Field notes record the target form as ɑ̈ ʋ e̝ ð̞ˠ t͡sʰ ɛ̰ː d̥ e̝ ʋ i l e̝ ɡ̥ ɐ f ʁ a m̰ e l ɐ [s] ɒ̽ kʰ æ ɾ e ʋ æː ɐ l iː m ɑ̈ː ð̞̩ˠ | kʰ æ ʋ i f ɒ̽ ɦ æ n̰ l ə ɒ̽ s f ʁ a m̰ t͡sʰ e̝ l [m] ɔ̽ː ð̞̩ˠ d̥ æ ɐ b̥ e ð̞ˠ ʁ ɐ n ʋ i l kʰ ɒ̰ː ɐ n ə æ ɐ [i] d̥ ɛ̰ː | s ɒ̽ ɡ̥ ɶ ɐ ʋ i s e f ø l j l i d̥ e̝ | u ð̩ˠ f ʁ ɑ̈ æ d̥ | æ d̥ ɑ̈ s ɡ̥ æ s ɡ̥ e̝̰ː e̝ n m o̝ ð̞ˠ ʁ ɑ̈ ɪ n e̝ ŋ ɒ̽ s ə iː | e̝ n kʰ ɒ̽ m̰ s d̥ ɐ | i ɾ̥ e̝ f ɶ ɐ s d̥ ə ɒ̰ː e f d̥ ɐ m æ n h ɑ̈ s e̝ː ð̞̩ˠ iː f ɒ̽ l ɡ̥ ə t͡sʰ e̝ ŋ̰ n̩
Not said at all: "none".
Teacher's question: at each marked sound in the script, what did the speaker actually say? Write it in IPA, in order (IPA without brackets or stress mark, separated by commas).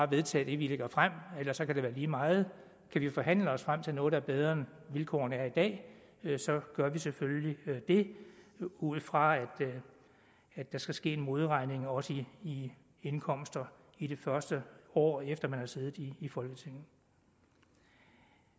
s, n, i